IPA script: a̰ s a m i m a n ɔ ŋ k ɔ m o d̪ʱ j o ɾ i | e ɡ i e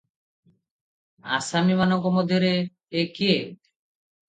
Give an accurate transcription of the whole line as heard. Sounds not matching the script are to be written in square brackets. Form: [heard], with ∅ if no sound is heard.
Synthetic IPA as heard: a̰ s a m i m a n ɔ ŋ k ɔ m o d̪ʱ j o ɾ [e] | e [k] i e

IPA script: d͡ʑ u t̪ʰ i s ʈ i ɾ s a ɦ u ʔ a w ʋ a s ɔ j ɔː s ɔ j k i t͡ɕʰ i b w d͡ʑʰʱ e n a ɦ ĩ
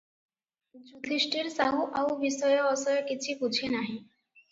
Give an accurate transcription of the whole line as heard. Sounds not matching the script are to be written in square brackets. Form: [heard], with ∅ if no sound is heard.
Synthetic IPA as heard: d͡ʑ u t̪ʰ i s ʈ i ɾ s a ɦ u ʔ a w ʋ [i] s ɔ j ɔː s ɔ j k i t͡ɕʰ i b [u] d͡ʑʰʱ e n a ɦ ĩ

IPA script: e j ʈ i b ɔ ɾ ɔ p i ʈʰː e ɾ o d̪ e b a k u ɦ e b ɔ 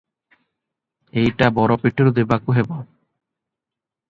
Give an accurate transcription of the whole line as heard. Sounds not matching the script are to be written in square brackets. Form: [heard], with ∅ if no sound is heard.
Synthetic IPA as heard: e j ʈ [a] b ɔ ɾ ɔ p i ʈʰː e ɾ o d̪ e b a k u ɦ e b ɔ

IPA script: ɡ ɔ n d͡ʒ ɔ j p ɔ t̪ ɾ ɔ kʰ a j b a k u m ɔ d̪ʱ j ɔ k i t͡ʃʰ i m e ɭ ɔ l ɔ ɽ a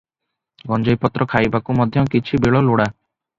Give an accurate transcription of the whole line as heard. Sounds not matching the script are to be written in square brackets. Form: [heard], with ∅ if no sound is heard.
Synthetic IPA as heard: ɡ ɔ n d͡ʒ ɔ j p ɔ t̪ ɾ ɔ kʰ a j b a k u m ɔ d̪ʱ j ɔ k i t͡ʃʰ i [b] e ɭ ɔ l [o] ɽ a

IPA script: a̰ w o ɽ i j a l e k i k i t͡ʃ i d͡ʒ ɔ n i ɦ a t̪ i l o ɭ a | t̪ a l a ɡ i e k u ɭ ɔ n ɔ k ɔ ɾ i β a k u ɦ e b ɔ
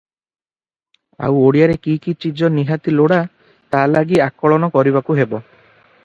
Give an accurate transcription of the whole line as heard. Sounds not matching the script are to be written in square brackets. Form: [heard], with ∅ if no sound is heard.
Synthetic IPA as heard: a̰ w o ɽ i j a [ɾ] e k i k i t͡ʃ i d͡ʒ ɔ n i ɦ a t̪ i l o [ɽ] a | t̪ a l a ɡ i [a] k [ɔ] ɭ ɔ n ɔ k ɔ ɾ i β a k u ɦ e b ɔ

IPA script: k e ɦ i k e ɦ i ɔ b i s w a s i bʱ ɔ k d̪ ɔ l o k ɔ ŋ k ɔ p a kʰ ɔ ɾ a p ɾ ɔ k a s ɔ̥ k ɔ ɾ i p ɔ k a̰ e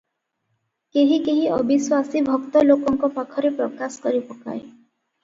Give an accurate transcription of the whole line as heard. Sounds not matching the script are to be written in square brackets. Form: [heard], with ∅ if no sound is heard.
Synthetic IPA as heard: k e ɦ i k e ɦ i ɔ b i s w a s i bʱ ɔ k [t̪] ɔ l o k ɔ ŋ k ɔ p a kʰ ɔ ɾ [e] p ɾ ɔ k a s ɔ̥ k ɔ ɾ i p ɔ k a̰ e

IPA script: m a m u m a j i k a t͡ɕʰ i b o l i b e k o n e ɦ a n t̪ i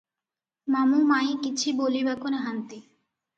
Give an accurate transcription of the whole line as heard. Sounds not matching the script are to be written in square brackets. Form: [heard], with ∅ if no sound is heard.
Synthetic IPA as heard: m a m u m a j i k [i] t͡ɕʰ i b o l i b [a] k o n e ɦ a n t̪ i

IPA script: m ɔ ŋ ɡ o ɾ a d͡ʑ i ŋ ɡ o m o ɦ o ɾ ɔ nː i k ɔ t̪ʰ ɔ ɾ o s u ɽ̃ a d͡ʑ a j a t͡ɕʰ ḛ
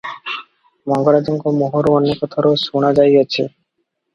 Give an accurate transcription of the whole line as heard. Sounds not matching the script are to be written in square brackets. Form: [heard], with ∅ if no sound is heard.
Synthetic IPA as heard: m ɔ ŋ ɡ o ɾ a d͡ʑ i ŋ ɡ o m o ɦ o ɾ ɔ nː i k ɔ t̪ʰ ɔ ɾ o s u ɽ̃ a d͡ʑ a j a t͡ɕʰ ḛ

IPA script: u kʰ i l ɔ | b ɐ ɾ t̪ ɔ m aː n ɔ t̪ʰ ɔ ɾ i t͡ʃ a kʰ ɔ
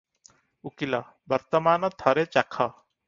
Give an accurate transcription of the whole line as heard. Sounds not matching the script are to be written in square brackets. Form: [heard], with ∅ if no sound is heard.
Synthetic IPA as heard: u [k] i l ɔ | b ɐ ɾ t̪ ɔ m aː n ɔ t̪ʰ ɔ ɾ [e] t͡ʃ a kʰ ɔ

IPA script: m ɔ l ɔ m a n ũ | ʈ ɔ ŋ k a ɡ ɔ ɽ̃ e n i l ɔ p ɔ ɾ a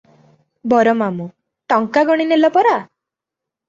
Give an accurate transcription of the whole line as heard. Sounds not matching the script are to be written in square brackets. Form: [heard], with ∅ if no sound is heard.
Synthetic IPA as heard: [b] ɔ [ɾ] ɔ m a [m] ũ | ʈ ɔ ŋ k a ɡ ɔ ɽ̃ [i] n [e] l ɔ p ɔ ɾ a

